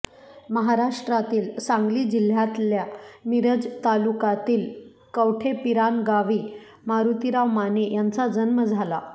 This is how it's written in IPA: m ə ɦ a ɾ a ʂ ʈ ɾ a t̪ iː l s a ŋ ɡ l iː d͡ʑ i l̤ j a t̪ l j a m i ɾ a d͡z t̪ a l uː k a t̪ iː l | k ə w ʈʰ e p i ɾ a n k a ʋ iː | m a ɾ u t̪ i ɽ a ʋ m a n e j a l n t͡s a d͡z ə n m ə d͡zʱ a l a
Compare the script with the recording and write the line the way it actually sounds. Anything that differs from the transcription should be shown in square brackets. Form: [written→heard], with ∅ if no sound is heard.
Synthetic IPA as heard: m ə ɦ a ɾ a ʂ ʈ ɾ a t̪ iː l s a ŋ ɡ l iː d͡ʑ i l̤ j a t̪ l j a m i ɾ [a→ə] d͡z t̪ a l [uː→u] k a t̪ iː l | k ə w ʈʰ e p i ɾ a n [k→ɡ] a ʋ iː | m a ɾ u t̪ i [ɽ→ɾ] a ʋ m a n e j a [l→∅] n t͡s a d͡z ə n m ə d͡zʱ a l a